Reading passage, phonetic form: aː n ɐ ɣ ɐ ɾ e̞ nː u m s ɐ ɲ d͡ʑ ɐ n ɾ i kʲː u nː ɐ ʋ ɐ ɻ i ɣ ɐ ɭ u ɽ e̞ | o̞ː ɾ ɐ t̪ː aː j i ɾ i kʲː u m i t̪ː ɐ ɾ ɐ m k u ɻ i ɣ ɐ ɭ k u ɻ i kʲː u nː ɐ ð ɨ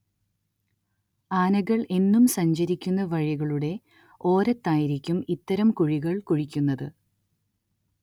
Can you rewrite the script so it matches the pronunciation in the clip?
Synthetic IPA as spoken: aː n ɐ ɣ ɐ ɭ e̞ nː u m s ɐ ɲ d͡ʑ ɐ ɾ i kʲː u nː ɐ ʋ ɐ ɻ i ɣ ɐ ɭ u ɽ e̞ | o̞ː ɾ ɐ t̪ː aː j i ɾ i kʲː u m i t̪ː ɐ ɾ ɐ m k u ɻ i ɣ ɐ ɭ k u ɻ i kʲː u nː ɐ ð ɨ